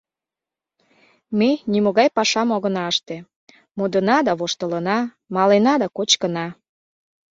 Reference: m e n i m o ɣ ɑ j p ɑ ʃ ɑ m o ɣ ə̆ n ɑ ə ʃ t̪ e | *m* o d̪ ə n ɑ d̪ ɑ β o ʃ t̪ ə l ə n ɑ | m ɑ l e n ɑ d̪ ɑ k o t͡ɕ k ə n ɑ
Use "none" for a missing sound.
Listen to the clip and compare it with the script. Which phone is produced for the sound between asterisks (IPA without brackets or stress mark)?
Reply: m